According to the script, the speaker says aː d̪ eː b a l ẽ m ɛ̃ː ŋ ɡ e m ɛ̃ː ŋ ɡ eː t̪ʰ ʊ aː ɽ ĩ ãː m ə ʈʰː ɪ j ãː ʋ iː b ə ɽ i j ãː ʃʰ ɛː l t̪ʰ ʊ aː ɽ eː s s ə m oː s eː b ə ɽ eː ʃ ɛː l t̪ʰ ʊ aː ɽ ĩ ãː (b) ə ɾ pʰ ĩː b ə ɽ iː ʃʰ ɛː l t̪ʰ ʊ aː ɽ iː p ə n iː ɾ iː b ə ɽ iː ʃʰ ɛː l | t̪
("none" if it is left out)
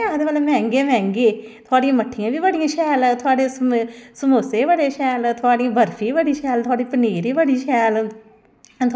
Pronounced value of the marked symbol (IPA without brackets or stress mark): b